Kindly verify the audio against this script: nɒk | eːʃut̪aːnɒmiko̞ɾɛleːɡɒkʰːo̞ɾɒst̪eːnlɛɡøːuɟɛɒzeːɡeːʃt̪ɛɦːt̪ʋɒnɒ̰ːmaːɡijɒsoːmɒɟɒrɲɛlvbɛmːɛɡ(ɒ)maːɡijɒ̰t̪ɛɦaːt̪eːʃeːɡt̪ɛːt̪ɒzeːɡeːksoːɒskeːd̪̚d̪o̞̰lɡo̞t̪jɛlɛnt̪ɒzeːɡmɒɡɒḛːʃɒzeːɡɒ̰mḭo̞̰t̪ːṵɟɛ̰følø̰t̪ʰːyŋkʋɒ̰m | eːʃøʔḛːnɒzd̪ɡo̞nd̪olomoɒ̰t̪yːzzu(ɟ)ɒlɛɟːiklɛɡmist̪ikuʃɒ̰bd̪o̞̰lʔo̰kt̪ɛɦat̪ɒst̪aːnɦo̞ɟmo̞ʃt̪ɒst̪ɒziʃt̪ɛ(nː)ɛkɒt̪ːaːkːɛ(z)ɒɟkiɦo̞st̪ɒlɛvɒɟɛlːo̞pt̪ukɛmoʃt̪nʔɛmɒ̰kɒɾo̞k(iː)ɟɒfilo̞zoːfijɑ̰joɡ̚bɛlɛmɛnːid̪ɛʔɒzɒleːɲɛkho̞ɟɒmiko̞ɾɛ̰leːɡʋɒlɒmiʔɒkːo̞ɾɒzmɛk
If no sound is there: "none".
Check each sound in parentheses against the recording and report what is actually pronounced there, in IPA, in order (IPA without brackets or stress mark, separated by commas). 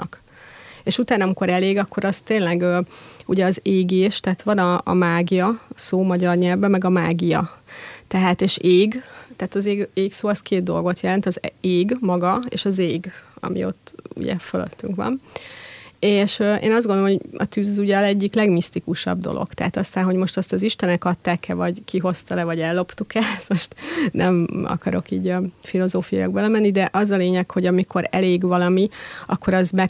ɒ, ɟ, n, v, iː